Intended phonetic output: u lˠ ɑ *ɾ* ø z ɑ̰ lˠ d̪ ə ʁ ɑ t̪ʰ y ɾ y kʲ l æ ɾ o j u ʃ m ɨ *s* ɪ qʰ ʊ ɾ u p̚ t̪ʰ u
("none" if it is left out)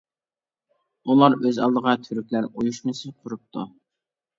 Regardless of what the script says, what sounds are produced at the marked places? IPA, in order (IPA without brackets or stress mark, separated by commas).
ɾ, s